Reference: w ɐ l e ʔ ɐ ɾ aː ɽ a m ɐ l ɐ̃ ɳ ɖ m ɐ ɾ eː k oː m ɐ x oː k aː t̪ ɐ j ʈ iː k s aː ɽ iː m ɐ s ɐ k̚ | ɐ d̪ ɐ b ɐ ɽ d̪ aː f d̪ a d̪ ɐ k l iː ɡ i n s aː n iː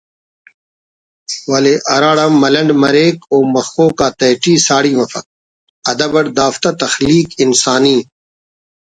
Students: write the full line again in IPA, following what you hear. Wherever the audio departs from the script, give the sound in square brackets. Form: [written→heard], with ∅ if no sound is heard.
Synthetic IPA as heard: w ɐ l e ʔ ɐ ɾ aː ɽ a m ɐ l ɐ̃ ɳ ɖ m ɐ ɾ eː k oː m ɐ x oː k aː t̪ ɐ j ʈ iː [k→∅] s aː ɽ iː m ɐ [s→f] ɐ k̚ | ɐ d̪ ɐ b ɐ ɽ d̪ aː f [d̪→t̪] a [d̪→t̪] ɐ [k→x] l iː [ɡ→k] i n s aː n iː